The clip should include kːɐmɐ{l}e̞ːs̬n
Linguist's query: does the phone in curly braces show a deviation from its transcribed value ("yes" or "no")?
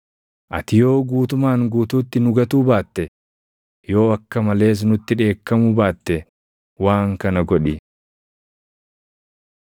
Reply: no